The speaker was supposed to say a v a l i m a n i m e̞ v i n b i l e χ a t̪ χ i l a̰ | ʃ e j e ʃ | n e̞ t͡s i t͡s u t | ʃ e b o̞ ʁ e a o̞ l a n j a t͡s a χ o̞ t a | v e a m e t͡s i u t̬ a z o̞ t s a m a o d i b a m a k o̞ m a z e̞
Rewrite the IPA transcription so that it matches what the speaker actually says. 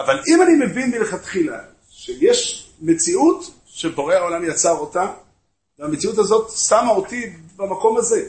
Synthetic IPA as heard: a v a l i m a n i m e̞ v i n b i l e χ a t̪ χ i l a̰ | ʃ e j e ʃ | m e̞ t͡s i u t | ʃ e b o̞ ʁ e a o̞ l a m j a t͡s a ʁ o̞ t a | v e a m e t͡s i u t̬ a z o̞ t s a m a o t i b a m a k o̞ m a z e̞